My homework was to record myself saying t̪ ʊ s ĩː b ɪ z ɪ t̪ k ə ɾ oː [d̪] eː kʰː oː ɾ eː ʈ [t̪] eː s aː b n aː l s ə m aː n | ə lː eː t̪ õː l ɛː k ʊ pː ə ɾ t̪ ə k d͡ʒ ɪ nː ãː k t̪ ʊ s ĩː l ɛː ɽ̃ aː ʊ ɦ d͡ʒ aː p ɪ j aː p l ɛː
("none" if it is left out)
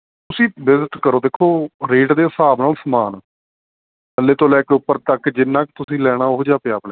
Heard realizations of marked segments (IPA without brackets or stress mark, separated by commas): d̪, d̪